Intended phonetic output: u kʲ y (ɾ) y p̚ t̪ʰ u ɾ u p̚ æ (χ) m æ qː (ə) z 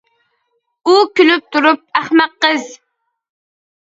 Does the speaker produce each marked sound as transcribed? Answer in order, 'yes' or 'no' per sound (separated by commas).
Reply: no, yes, yes